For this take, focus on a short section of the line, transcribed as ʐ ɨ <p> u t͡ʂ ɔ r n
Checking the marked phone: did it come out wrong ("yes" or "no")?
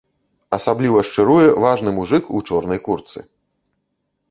yes